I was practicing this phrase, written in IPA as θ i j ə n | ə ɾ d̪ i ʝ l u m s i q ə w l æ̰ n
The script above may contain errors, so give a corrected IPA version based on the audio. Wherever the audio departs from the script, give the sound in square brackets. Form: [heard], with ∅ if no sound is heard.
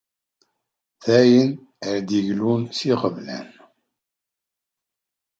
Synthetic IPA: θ [æ] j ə n | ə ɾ d̪ i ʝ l u [n] s i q ə [v] l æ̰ n

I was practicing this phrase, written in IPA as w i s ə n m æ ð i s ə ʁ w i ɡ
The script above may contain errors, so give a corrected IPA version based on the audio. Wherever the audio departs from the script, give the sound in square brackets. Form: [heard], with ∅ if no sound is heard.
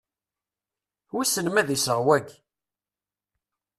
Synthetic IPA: w i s ə n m æ ð i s ə ʁ w [æ] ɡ

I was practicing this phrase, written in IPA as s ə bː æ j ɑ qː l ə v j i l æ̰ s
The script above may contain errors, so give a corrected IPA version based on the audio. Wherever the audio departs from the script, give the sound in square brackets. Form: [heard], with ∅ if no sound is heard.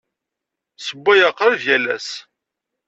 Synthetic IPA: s ə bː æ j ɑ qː [ɾ] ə v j [æ] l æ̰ s

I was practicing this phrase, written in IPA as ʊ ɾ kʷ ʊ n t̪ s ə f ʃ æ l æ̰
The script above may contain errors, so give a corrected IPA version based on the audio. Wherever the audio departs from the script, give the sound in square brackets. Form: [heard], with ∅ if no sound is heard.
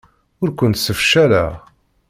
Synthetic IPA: ʊ ɾ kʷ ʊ n t̪ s ə f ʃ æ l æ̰

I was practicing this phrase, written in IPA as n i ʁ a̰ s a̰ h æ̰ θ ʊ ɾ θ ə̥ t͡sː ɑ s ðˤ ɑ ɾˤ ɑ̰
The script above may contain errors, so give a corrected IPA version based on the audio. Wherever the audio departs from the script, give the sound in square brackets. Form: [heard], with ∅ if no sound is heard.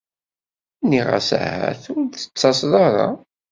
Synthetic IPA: n i ʁ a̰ s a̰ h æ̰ θ ʊ ɾ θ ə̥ t͡sː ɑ s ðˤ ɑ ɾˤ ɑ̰

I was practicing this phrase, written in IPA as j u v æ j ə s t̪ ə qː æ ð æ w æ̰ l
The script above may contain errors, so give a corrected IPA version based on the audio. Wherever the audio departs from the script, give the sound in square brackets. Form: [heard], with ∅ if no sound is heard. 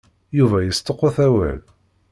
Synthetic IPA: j u v æ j ə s t̪ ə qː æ [θ] æ w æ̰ l

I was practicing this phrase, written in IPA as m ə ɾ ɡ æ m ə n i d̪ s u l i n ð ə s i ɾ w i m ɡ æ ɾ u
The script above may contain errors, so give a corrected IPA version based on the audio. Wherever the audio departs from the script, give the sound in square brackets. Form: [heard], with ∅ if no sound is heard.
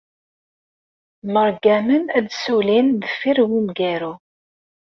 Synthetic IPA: m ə ɾ ɡ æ m ə n [æ] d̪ s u l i n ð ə [f] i ɾ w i m ɡ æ ɾ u

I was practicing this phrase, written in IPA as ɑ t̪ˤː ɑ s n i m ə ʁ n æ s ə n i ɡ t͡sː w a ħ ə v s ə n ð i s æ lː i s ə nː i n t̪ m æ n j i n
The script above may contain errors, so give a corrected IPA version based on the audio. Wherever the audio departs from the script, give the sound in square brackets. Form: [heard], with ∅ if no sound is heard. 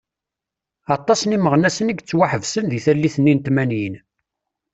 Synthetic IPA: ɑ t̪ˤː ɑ s n i m ə ʁ n æ s ə n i ɡ t͡sː w a ħ ə v s ə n ð i [θ] æ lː i [θ] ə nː i n t̪ m æ n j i n

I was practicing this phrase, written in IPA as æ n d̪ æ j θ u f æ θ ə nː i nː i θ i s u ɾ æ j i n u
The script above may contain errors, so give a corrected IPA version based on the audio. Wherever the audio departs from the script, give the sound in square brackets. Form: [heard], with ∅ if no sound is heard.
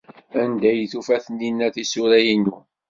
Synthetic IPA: æ n d̪ æ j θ u f æ θ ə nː i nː [æ] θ i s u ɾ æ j i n u

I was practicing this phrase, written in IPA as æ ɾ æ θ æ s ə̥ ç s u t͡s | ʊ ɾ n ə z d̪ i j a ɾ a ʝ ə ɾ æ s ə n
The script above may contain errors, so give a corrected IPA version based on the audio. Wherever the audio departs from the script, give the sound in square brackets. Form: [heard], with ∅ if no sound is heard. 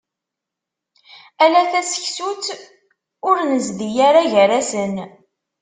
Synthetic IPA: æ [l] æ θ æ s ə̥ ç s u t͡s | ʊ ɾ n ə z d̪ i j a ɾ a ʝ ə ɾ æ s ə n

